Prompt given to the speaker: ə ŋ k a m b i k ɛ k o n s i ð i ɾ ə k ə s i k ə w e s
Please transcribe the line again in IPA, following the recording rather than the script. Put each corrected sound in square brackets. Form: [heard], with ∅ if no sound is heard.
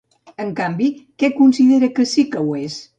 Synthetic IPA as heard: ə ŋ k a m b i k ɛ k [u] n s i ð [e] ɾ ə k ə s i k ə w e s